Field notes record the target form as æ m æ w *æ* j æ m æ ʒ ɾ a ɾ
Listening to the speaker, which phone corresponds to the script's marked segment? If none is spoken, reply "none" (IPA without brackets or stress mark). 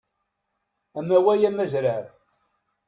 æ